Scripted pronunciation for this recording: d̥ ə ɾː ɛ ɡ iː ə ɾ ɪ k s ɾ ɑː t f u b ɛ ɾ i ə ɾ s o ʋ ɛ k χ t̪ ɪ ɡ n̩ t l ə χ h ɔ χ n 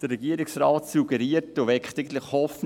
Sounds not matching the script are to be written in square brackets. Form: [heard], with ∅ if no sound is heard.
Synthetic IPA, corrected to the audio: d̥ ə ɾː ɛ ɡ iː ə ɾ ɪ k s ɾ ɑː t [s] u [ɡ] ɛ ɾ i ə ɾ [t] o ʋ ɛ k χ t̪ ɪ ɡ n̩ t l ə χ h ɔ [f] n